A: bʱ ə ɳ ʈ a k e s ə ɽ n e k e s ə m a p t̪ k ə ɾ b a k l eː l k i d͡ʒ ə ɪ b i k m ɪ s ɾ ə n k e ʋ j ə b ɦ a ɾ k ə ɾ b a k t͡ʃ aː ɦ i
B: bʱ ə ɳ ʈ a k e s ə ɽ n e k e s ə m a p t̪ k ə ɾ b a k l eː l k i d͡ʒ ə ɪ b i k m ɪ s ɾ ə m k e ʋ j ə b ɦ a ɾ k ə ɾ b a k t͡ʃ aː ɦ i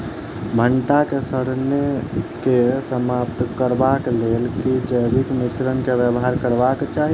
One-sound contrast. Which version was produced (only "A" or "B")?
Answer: A